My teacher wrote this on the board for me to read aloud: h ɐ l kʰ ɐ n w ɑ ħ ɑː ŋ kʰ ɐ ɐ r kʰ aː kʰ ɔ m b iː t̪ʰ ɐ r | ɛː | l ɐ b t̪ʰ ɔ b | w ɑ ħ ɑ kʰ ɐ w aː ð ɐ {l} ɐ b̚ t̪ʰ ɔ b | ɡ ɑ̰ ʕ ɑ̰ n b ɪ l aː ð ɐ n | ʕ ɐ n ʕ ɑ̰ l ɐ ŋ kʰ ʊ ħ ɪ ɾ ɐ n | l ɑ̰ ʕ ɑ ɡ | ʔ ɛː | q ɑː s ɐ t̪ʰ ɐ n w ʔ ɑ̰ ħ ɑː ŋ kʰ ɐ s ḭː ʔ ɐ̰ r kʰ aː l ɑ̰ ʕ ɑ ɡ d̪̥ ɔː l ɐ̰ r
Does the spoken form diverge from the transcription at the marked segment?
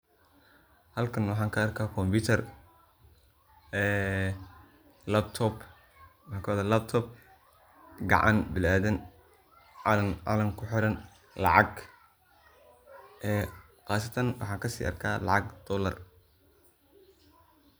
no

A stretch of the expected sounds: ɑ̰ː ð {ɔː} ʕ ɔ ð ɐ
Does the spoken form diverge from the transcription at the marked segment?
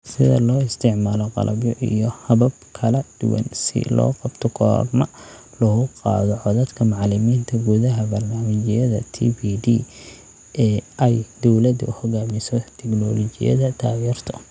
yes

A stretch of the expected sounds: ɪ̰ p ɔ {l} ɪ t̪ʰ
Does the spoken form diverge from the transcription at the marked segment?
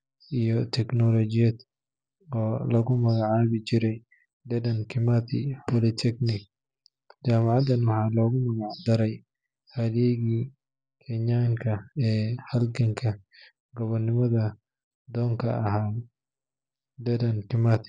no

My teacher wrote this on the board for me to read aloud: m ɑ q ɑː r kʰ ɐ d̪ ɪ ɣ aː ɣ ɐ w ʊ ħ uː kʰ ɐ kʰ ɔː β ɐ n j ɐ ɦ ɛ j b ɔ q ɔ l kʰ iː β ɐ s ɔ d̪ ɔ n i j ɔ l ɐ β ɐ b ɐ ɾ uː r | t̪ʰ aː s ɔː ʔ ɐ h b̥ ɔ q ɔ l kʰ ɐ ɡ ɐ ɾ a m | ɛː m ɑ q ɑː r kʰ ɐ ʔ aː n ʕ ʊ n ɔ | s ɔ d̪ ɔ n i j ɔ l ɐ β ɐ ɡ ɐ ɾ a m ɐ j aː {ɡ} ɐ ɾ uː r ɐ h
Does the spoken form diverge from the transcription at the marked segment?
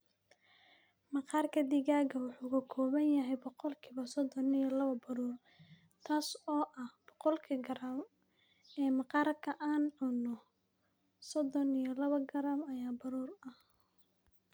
yes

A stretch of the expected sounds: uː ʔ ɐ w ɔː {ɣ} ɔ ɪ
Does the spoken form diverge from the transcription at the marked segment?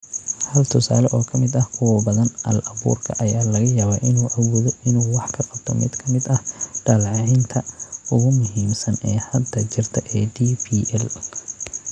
yes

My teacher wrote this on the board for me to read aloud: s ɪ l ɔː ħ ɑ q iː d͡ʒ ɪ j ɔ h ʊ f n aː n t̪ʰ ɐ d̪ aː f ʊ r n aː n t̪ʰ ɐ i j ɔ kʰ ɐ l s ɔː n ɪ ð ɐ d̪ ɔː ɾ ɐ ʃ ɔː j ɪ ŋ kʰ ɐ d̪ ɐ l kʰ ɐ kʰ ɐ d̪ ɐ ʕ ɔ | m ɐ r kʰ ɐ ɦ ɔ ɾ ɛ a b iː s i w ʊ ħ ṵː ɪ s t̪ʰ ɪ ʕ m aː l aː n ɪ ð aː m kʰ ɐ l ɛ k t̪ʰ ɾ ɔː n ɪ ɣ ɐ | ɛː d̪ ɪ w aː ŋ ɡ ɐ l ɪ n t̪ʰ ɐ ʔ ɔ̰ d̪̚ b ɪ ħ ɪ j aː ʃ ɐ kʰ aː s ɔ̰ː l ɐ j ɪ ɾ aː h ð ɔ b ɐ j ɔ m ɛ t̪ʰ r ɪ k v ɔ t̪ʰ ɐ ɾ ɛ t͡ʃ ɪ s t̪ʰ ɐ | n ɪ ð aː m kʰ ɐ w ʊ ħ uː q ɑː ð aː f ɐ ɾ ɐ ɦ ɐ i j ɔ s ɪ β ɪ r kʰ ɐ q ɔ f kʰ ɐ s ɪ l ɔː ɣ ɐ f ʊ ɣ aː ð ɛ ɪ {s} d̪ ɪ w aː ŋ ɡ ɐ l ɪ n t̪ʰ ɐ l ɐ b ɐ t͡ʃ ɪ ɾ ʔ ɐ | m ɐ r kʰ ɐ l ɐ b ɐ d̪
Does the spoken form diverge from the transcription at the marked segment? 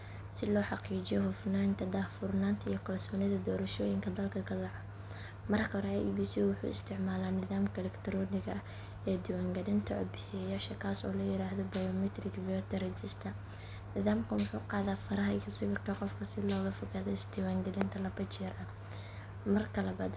no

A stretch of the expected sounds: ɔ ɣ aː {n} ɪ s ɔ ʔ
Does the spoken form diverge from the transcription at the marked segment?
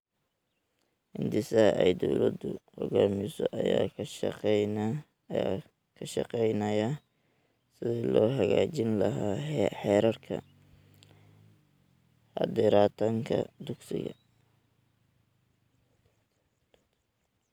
yes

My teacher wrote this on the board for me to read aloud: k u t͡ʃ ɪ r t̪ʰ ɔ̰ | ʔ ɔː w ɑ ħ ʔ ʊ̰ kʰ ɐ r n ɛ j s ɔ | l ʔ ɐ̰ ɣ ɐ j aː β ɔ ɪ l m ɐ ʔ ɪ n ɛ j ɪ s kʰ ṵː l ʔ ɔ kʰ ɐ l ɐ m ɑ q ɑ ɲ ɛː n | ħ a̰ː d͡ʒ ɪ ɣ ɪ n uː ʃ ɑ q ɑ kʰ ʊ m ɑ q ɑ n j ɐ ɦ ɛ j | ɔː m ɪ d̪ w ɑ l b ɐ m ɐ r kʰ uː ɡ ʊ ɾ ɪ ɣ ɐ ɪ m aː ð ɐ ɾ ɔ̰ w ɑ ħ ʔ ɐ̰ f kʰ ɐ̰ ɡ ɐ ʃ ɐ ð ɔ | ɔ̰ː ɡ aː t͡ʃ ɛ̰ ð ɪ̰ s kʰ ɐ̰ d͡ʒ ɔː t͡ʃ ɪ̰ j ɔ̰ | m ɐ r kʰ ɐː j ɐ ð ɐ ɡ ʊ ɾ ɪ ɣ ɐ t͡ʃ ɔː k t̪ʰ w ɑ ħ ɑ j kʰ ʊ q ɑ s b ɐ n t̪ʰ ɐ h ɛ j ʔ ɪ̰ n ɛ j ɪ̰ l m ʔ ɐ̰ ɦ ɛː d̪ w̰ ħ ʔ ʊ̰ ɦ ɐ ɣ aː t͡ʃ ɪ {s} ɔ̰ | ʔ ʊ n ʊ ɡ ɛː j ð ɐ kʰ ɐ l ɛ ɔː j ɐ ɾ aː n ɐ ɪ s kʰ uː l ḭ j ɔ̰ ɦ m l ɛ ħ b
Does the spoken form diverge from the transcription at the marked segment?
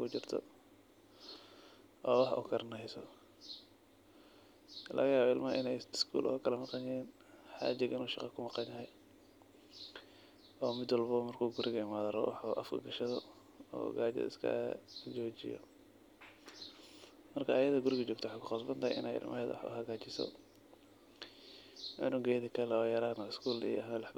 no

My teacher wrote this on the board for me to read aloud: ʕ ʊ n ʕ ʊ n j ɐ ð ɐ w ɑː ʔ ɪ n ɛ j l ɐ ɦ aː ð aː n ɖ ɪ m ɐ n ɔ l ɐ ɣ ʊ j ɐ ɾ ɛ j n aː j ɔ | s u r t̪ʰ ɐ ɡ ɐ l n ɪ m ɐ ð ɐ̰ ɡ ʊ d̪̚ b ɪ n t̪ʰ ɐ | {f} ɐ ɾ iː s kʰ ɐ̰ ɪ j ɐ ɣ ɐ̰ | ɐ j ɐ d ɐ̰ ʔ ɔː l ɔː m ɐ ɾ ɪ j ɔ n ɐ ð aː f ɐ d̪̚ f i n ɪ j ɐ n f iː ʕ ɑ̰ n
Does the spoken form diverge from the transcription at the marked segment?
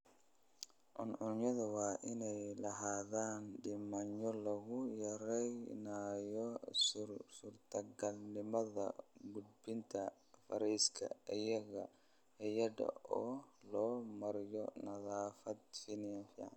no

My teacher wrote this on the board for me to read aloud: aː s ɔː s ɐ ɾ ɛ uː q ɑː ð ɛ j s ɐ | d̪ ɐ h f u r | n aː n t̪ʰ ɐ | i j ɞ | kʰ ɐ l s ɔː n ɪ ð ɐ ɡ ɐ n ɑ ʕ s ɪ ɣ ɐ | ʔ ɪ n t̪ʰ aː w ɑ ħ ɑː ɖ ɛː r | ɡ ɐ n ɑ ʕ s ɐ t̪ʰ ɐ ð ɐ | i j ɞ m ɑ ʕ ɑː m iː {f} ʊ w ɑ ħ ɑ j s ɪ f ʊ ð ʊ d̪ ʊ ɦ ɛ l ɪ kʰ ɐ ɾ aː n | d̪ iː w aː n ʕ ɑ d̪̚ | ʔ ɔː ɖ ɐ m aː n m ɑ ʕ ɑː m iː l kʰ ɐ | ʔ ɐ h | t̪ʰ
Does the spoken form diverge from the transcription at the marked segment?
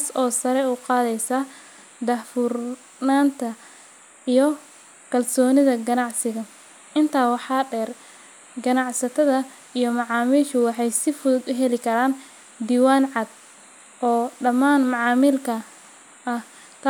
yes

